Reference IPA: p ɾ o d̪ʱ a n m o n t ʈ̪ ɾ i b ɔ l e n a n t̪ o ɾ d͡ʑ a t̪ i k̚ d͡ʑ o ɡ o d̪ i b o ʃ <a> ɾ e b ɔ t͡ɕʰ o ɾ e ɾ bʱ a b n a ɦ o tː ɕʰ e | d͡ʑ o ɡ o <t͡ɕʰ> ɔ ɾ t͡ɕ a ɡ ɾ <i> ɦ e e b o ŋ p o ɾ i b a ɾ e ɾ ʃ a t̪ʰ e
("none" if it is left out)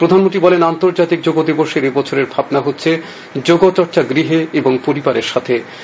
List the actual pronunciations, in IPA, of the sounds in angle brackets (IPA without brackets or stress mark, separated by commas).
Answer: e, t͡ɕ, i